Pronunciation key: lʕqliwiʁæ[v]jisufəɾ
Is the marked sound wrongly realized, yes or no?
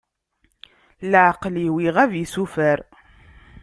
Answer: no